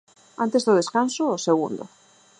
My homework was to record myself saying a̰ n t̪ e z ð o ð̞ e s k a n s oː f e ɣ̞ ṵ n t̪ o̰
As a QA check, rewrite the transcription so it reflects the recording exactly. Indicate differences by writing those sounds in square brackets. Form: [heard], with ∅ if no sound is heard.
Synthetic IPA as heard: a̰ n t̪ e z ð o ð̞ e s k a n s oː [s] e ɣ̞ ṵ n [d̪] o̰